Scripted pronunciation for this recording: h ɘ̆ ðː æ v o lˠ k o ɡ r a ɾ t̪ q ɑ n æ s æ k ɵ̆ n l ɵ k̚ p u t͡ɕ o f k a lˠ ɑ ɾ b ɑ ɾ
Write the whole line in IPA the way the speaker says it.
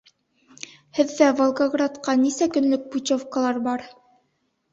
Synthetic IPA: h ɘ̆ ðː æ v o lˠ ɡ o ɡ r a t̪ q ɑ n i s æ k ɵ̆ n l ɵ k̚ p u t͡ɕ o f k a lˠ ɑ ɾ b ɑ ɾ

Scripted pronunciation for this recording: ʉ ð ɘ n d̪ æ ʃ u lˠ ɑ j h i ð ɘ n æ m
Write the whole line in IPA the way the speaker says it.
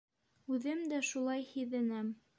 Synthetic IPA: ʉ ð ɘ m d̪ æ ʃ u lˠ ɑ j h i ð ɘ n æ m

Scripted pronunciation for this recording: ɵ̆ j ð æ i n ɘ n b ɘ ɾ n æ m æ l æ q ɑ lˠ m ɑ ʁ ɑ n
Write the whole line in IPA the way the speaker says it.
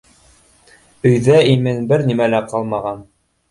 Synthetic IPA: ɵ̆ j ð æ i m ɘ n b ɘ ɾ n i m æ l æ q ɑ lˠ m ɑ ʁ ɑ n

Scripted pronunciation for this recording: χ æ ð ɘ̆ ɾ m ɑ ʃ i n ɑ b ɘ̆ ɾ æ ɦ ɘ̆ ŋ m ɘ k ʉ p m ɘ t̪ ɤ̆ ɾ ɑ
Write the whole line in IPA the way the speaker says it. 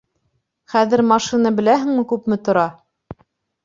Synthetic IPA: χ æ ð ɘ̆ ɾ m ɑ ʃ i n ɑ b ɘ̆ l æ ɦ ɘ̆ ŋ m ɘ k ʉ p m ɘ t̪ ŏ ɾ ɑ

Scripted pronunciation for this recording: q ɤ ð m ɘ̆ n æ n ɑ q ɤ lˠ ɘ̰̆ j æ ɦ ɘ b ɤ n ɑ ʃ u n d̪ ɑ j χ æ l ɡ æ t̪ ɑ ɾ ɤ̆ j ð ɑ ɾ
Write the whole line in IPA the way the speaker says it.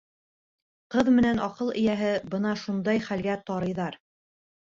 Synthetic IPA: q ɤ ð m ɘ̆ n æ n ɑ q ɤ lˠ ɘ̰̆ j æ ɦ ɘ b ɤ n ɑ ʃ u n d̪ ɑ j χ æ l ɡ æ t̪ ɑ ɾ ɤ̆ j ð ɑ ɾ

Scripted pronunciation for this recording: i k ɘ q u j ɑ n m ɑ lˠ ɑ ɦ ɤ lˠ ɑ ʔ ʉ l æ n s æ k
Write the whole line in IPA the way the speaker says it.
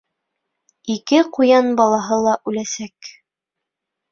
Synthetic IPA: i k ɘ q u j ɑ n b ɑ lˠ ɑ ɦ ɤ lˠ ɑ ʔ ʉ l æ s æ k

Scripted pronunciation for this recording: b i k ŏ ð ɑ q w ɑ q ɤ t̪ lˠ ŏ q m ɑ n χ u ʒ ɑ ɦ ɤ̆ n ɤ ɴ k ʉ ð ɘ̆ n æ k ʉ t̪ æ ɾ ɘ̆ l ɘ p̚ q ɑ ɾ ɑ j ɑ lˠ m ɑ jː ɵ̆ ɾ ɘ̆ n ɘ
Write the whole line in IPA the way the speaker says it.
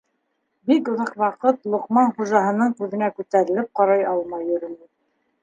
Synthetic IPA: b i k ŏ ð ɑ q w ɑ q ɤ t̪ lˠ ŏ q m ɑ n χ u ʒ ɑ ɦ ɤ̆ n ɤ ɴ k ʉ ð ɘ̆ n æ k ʉ t̪ æ ɾ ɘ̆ l ɘ p̚ q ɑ ɾ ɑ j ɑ lˠ m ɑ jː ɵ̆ ɾ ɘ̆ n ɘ

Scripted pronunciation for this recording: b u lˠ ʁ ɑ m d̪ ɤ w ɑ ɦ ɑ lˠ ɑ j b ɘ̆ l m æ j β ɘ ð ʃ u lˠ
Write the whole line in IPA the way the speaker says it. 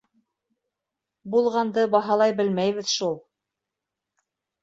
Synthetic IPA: b u lˠ ʁ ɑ n d̪ ɤ b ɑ ɦ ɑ lˠ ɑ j b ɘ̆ l m æ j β ɘ ð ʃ u lˠ

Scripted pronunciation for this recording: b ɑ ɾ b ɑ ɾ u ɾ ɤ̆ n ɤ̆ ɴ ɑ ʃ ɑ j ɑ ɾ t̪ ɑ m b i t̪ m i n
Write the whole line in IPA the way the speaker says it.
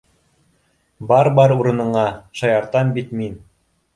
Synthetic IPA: b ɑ ɾ b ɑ ɾ u ɾ ɤ̆ n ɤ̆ ɴ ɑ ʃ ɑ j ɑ ɾ t̪ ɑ m b i t̪ m i n

